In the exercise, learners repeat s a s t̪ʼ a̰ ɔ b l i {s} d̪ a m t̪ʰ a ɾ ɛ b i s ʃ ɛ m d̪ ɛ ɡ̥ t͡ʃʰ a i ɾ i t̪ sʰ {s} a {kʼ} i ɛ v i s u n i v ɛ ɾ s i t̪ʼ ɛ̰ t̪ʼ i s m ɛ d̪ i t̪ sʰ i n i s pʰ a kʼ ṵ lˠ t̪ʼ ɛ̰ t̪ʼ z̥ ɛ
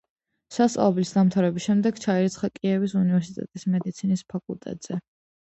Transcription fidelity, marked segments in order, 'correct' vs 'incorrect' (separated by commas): correct, incorrect, correct